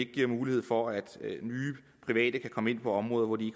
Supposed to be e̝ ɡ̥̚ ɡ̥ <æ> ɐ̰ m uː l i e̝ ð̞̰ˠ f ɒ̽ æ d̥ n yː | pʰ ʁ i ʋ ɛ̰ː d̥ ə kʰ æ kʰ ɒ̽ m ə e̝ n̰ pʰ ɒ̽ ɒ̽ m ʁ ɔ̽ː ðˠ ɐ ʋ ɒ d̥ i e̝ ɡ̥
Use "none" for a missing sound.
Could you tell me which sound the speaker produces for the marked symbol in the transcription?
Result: i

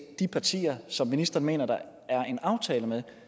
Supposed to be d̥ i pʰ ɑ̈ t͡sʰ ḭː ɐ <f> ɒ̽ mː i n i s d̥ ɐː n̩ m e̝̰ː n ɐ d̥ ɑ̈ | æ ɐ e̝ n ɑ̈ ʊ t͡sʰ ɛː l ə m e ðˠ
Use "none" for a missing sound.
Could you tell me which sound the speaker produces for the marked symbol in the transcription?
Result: s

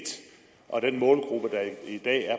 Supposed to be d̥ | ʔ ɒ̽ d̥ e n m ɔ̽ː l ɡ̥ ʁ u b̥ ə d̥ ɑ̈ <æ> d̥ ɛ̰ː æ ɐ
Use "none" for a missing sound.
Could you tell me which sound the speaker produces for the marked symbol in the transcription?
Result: i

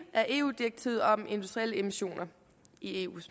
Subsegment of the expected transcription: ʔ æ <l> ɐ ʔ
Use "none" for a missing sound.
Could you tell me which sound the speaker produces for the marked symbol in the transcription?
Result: none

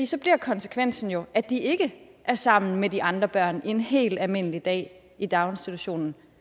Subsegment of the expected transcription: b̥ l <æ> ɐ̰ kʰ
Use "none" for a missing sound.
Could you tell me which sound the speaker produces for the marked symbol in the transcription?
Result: i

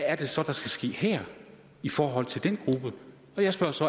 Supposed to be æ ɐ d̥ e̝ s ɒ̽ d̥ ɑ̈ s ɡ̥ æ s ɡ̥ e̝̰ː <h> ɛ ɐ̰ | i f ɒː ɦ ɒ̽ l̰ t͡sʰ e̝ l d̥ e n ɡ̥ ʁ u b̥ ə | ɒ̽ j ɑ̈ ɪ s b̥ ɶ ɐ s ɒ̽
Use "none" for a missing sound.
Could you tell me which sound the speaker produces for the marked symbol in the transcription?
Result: h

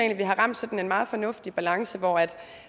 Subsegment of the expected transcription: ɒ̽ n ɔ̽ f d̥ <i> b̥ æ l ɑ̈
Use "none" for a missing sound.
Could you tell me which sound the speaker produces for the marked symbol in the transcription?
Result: i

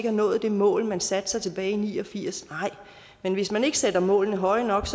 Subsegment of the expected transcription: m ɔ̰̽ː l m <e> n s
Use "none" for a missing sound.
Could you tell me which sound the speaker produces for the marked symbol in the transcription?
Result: æ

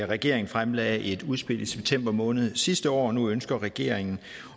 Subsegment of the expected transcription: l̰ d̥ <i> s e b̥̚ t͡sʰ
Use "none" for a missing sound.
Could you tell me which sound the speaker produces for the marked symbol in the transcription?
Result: i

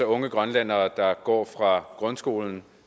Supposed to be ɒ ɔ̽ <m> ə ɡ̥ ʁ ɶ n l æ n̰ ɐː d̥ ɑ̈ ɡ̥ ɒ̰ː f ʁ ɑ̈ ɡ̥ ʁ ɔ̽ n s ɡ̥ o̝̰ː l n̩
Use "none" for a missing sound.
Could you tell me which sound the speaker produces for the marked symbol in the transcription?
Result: ŋ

